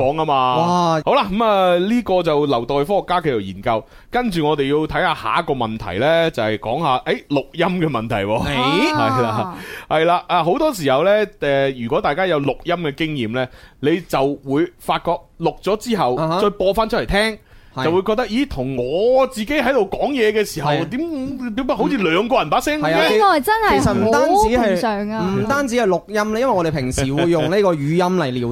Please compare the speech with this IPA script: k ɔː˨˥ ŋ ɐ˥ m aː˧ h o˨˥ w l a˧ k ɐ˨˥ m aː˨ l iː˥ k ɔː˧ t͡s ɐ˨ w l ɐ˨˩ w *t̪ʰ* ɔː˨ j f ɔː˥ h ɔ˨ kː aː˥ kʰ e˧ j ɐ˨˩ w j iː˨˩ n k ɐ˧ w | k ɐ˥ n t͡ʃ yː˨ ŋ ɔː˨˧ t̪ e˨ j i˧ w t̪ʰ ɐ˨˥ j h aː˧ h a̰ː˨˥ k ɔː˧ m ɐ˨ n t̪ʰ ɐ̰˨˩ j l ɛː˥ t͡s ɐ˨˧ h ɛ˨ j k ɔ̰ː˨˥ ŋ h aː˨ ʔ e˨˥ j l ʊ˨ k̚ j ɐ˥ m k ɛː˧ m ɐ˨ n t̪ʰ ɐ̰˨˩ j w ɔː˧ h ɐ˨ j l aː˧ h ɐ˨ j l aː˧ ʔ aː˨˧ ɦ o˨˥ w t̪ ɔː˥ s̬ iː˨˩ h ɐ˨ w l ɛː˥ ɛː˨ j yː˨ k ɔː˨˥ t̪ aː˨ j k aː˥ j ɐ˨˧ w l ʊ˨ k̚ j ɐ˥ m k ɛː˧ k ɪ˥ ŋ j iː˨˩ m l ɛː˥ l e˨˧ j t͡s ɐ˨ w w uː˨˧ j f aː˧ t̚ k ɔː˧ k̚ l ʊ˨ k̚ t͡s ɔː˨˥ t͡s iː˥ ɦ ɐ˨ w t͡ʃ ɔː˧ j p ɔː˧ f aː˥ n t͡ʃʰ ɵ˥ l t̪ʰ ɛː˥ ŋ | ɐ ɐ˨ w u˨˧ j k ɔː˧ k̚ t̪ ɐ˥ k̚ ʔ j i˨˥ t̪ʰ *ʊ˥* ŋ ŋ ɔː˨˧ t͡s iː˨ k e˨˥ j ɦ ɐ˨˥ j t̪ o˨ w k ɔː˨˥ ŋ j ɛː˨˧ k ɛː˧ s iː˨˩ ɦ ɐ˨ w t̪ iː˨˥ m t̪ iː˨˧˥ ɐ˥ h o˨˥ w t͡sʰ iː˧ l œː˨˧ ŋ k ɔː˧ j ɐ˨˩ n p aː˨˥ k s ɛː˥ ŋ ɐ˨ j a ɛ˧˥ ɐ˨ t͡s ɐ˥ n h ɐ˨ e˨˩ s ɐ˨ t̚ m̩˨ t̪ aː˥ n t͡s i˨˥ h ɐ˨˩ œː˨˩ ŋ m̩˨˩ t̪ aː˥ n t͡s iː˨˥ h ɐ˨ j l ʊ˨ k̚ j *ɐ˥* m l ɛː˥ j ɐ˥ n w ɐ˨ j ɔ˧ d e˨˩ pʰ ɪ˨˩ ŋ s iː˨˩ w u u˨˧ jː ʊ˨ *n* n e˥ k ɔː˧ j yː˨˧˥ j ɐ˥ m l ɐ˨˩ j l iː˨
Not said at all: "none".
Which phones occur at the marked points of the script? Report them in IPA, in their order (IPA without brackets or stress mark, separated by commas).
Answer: t̪, ʊ˨˩, ɐ˥, ŋ